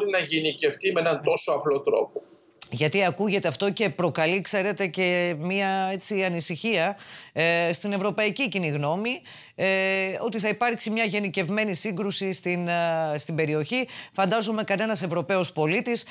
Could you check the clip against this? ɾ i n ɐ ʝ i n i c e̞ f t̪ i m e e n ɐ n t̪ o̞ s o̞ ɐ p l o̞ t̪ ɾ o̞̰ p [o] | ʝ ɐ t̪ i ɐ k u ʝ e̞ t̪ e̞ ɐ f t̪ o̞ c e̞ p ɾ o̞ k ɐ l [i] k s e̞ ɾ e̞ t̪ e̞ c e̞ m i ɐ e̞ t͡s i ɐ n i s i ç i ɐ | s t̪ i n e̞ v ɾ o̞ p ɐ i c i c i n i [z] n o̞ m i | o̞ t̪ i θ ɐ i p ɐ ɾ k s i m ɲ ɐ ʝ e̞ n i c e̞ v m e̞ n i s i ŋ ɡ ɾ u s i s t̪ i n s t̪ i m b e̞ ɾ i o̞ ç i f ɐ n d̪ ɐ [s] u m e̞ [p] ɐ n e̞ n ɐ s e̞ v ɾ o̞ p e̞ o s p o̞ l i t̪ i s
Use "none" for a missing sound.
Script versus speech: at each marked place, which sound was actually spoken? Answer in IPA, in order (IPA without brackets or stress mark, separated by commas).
o, i, ɣ, z, k